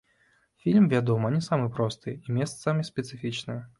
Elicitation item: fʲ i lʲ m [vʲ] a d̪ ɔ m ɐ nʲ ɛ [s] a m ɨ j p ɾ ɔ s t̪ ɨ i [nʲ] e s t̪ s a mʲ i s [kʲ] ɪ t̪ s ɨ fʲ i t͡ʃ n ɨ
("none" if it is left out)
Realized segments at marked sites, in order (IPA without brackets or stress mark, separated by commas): vʲ, s, mʲ, pʲ